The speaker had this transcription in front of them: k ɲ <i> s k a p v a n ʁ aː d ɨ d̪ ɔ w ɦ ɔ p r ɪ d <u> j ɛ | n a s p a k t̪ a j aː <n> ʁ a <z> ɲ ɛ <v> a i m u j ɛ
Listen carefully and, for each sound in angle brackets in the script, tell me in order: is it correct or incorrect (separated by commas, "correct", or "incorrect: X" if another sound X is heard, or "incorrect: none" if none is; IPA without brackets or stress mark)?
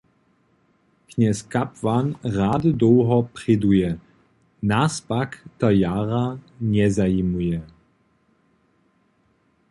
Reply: incorrect: ɛ, correct, incorrect: none, incorrect: none, incorrect: z